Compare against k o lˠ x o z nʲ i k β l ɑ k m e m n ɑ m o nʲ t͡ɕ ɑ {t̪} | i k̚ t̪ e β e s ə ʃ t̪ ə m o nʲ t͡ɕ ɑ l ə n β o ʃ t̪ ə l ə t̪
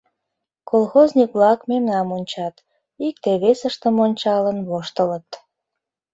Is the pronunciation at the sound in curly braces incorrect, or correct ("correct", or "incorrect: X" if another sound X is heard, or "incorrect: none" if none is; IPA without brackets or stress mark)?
correct